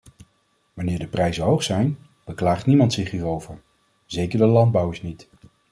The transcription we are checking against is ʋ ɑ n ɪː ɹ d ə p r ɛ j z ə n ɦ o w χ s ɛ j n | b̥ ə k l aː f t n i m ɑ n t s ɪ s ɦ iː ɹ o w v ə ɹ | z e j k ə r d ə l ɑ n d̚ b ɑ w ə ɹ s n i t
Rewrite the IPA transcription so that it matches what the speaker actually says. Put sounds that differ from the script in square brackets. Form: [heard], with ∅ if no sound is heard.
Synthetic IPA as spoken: ʋ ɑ n ɪː ɹ d ə p r ɛ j z ə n ɦ o w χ s ɛ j n | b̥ ə k l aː [χ] t n i m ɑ n t s ɪ [χ] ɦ iː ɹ o w v ə ɹ | z e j k ə [ɹ] d ə l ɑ n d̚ b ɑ w ə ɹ s n i t